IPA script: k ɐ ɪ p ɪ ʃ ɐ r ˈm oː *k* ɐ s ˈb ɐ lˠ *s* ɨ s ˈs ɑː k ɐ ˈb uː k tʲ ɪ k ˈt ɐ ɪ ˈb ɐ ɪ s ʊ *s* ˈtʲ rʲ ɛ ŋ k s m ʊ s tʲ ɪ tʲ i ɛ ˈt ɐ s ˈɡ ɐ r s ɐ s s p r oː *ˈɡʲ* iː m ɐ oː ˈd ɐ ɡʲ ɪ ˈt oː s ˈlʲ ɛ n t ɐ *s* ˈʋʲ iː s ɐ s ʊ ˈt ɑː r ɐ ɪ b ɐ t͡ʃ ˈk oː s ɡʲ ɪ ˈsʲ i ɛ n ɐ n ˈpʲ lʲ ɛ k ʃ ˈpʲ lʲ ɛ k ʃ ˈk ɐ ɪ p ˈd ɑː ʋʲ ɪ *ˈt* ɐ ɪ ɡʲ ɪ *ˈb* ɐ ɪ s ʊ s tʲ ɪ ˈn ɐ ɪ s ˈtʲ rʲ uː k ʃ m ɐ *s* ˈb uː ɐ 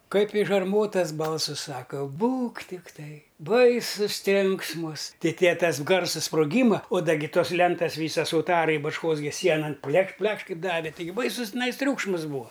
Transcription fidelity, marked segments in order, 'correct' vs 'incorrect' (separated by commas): incorrect, correct, correct, correct, correct, correct, correct, correct